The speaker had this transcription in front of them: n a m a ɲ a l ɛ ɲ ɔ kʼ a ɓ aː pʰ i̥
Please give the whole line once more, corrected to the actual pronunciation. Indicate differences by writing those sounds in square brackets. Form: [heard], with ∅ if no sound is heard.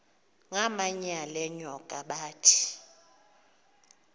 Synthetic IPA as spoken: [ŋ] a m a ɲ a l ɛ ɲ ɔ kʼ a ɓ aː [tʰ] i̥